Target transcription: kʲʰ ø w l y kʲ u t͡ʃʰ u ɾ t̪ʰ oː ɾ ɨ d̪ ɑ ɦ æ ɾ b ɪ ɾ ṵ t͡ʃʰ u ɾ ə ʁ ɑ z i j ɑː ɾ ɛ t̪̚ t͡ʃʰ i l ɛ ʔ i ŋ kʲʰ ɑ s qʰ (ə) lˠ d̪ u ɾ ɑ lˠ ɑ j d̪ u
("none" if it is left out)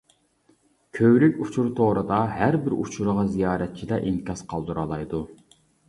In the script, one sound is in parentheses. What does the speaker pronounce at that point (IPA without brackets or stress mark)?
ɑ